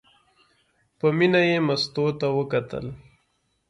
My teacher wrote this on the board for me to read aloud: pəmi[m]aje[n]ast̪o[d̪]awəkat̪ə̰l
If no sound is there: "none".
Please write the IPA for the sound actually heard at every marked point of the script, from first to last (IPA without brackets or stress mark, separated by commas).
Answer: n, m, t̪